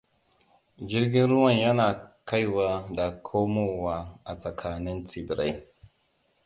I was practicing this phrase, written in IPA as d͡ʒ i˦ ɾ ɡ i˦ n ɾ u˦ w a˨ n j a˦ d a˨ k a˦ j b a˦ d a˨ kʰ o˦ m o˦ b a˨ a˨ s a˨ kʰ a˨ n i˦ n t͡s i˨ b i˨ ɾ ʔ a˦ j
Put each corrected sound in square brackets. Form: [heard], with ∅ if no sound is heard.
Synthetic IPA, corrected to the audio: d͡ʒ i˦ ɾ ɡ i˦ n ɾ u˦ w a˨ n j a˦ [n] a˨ k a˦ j [w] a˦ d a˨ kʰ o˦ m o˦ [w] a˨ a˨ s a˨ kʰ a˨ n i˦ n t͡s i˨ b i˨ ɾ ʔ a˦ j